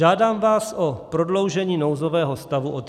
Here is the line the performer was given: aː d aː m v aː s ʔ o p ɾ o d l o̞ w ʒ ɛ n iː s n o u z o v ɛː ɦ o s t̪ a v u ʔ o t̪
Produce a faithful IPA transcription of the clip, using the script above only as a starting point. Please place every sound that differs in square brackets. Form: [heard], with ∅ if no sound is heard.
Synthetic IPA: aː d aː m v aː s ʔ o p ɾ o d l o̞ w ʒ ɛ [ɲ] iː [∅] n o [w] z o v ɛː ɦ o s t̪ a v u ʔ o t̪